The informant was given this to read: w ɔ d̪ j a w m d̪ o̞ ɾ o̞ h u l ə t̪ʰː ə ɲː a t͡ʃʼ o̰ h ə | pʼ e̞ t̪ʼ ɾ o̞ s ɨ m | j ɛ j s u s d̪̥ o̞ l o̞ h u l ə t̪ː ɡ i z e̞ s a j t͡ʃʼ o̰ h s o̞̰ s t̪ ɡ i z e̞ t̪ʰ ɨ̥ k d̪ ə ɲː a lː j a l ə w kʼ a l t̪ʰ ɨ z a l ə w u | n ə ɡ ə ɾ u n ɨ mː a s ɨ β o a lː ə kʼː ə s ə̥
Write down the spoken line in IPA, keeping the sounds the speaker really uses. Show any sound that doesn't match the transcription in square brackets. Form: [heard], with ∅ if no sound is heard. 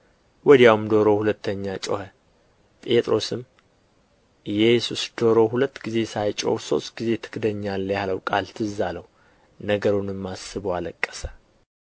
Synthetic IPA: w ɔ d̪ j a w m d̪ o̞ ɾ o̞ h u l ə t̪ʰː ə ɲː a t͡ʃʼ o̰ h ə | pʼ e̞ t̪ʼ ɾ o̞ s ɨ m | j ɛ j s u s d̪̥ o̞ [ɾ] o̞ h u l ə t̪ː ɡ i z e̞ s a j t͡ʃʼ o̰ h s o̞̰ s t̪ ɡ i z e̞ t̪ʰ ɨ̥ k d̪ ə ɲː a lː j a l ə w kʼ a l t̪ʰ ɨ z a l ə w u | n ə ɡ ə ɾ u n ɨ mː a s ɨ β o a [l] ə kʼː ə s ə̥